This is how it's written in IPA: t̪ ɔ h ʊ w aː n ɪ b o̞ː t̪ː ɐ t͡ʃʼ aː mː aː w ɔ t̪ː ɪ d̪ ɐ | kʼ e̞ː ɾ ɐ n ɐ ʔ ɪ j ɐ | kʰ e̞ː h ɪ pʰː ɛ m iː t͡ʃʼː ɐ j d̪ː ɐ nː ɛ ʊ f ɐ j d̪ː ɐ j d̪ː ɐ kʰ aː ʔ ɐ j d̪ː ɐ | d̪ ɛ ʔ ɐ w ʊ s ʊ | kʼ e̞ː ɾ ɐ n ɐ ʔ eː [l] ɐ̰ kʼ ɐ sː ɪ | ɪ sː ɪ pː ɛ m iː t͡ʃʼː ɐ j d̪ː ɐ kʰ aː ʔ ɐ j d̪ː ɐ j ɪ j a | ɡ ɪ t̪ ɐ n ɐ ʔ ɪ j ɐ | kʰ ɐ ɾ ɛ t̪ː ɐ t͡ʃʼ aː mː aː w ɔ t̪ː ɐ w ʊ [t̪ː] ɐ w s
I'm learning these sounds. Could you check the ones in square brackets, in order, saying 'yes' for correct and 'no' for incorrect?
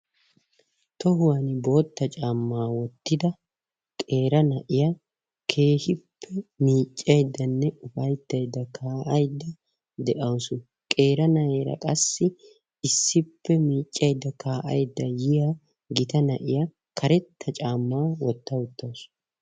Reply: no, yes

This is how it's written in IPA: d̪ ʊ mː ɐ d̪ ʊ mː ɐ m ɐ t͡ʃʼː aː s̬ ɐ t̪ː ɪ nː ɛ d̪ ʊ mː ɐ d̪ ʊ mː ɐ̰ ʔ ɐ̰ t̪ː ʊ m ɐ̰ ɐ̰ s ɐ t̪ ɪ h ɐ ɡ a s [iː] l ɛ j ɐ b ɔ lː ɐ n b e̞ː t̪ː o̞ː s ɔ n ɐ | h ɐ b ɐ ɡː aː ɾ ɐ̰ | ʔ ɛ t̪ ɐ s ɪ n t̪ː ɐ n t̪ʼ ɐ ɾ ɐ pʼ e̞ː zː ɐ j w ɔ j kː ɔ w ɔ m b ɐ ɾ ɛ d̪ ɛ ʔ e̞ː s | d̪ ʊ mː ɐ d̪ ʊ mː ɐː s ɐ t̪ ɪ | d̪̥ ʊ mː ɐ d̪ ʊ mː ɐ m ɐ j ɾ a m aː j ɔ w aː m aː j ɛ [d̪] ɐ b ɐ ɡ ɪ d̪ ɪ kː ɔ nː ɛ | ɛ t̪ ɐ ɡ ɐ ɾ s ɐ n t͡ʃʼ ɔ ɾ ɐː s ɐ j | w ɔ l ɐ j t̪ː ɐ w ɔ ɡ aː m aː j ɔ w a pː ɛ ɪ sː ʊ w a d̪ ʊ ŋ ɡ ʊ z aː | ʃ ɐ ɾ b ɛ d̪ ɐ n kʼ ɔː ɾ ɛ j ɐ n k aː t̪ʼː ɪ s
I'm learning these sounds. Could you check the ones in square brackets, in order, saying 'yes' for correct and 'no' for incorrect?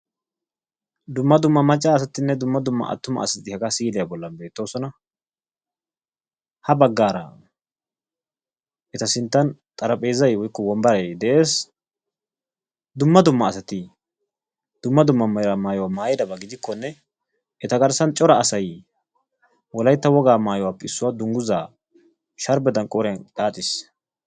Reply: yes, yes

